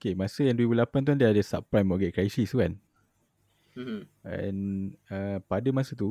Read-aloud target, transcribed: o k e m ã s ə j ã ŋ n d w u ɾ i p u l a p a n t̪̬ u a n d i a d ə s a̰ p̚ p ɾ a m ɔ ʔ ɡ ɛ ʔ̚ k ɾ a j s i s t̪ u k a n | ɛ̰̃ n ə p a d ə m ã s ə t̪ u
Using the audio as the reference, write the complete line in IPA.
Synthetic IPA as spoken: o k e m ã s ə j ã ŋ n d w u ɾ i b u l a p a n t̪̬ u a n d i a d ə s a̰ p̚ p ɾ a m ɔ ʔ ɡ ɛ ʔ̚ k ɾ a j s i s t̪ u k a n | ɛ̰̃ n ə p a d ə m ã s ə t̪ u